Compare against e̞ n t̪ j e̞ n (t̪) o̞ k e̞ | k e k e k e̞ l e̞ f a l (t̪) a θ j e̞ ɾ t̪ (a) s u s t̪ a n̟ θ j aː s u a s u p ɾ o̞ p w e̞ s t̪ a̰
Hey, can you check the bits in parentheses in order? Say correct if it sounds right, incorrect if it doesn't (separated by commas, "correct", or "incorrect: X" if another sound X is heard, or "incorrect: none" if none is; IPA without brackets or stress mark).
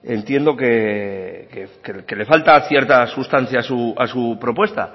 incorrect: d̪, correct, correct